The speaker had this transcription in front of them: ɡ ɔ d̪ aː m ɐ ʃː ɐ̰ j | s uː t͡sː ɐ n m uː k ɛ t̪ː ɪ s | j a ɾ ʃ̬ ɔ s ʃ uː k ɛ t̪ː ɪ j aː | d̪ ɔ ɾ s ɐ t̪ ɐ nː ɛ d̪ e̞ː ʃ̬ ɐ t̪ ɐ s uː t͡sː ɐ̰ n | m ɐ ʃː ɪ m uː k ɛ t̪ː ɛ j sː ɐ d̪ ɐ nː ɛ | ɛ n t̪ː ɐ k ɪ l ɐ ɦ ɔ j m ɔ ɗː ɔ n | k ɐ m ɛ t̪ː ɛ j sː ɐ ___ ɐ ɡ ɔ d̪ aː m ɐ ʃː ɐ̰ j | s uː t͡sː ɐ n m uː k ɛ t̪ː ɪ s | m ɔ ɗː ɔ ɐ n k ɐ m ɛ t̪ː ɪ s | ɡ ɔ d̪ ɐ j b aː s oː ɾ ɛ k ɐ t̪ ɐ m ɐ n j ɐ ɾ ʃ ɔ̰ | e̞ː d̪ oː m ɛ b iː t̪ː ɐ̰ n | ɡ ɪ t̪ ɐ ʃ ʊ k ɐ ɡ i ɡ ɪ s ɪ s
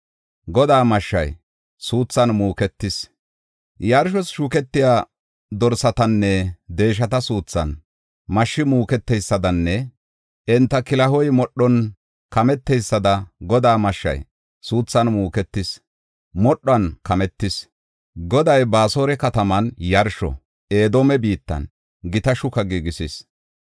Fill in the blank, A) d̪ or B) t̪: A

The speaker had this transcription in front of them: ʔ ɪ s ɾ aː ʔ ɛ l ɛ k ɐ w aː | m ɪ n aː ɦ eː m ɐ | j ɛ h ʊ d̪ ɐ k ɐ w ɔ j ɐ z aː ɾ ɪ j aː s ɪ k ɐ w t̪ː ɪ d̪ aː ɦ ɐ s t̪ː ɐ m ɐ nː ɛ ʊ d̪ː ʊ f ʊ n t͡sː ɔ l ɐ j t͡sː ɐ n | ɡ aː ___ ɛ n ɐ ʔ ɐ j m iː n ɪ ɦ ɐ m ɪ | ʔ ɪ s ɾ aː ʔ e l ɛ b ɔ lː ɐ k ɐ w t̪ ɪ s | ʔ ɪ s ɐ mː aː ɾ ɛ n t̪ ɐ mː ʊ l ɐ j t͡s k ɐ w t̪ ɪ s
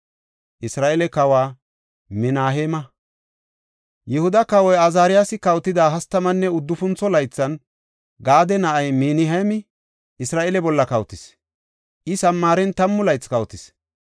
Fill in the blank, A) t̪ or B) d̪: B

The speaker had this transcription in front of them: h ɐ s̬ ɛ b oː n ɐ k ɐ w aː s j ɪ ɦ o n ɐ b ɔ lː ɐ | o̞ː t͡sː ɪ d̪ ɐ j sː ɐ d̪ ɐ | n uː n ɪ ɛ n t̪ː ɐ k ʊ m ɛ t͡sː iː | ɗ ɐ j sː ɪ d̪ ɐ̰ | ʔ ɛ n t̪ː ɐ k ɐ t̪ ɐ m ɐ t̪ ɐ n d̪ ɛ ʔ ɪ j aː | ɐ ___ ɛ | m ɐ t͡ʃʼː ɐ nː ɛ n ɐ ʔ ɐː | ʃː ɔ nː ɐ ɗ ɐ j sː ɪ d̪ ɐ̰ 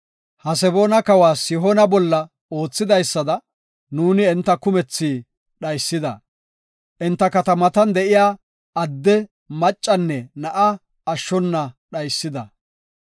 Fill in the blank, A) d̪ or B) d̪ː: B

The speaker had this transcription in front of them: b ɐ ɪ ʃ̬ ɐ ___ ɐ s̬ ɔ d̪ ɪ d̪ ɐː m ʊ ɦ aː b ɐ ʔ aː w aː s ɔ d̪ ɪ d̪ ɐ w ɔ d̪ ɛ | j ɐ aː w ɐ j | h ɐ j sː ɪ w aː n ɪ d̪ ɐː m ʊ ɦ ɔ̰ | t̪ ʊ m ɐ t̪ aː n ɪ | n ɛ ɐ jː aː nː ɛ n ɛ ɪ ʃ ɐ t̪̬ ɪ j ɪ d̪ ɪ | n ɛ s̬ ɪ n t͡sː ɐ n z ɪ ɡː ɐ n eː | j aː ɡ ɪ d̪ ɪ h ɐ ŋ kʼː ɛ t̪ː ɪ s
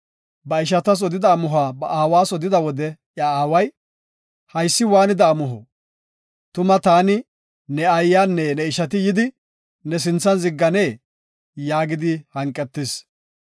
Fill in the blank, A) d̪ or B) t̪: B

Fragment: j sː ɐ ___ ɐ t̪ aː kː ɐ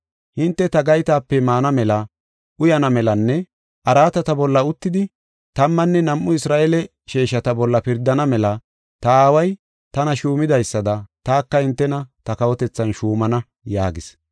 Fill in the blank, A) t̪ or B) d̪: B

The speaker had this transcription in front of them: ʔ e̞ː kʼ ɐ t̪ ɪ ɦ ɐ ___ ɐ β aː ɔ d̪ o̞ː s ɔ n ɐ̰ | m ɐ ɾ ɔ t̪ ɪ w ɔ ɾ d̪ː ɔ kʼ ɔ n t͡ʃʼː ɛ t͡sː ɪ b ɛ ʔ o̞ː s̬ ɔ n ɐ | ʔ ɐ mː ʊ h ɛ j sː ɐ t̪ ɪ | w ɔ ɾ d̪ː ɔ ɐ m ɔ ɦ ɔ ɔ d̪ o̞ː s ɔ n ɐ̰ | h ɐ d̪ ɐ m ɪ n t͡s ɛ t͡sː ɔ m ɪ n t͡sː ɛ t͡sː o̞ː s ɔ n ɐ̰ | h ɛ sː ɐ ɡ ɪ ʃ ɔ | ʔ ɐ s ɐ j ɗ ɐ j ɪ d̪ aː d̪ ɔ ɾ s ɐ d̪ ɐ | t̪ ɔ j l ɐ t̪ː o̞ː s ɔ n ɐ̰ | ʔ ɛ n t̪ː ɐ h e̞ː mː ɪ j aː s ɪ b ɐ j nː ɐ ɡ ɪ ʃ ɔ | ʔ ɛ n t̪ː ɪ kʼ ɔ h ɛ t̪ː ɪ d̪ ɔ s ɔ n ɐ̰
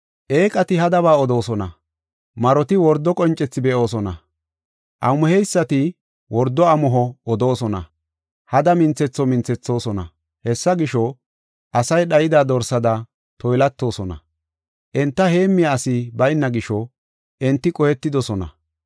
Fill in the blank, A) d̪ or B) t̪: A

